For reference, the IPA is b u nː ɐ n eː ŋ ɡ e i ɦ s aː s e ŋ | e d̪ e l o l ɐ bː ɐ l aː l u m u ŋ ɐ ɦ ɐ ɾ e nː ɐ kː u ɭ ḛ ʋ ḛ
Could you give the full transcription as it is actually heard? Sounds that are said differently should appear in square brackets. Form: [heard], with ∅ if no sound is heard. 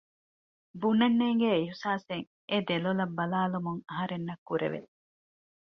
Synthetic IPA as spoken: b u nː ɐ [nː] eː ŋ ɡ e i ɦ s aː s e ŋ | e d̪ e l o l ɐ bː ɐ l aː l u m u ŋ ɐ ɦ ɐ ɾ e nː ɐ kː u [ɾ] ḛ ʋ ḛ